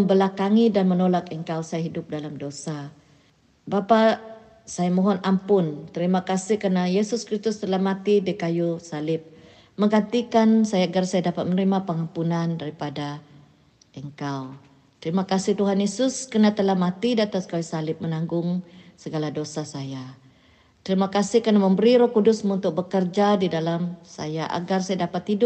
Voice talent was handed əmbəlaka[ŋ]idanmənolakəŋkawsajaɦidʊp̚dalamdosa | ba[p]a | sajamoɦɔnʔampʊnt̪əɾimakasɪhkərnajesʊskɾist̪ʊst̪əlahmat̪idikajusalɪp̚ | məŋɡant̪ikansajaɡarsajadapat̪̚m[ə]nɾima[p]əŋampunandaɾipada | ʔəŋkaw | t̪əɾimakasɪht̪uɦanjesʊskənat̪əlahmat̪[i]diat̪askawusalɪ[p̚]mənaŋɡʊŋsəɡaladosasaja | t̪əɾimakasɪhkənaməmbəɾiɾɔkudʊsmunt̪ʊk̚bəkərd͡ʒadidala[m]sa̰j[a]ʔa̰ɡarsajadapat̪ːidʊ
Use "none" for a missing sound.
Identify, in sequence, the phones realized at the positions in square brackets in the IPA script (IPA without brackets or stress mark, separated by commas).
ŋ, p, ə, p, i, p̚, m, a